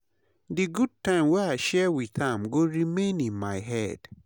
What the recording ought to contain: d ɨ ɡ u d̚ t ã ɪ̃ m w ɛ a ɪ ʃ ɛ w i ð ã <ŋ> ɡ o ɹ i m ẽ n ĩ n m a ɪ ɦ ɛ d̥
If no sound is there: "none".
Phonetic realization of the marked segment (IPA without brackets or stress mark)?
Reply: m